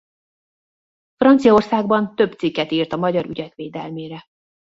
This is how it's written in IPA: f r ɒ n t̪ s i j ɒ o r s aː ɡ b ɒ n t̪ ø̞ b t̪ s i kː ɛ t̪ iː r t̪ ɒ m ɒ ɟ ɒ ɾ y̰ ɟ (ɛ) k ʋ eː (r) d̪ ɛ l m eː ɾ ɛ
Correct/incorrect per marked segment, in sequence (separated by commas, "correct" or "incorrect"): correct, incorrect